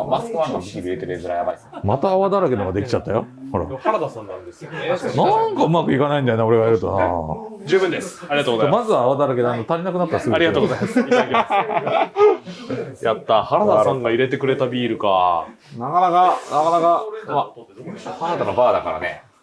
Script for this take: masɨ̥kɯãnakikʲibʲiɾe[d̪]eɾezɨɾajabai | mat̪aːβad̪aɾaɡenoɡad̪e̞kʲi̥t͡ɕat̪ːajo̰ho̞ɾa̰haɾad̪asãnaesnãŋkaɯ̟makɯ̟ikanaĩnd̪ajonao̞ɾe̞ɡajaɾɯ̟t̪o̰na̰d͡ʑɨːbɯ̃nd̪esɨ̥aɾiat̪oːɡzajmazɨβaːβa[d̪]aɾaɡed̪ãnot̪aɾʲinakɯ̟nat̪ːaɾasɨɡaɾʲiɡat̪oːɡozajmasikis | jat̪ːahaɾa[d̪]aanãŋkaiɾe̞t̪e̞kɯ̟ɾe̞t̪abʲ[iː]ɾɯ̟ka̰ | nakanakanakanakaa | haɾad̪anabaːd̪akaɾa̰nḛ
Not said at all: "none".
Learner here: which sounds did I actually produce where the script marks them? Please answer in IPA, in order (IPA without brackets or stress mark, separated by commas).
t̪, d̪, d̪, iː